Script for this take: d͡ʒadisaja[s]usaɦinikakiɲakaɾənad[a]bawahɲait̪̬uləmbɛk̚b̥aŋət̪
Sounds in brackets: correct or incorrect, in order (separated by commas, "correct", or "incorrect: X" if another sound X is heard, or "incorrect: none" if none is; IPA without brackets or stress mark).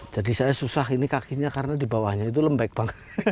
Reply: correct, incorrect: i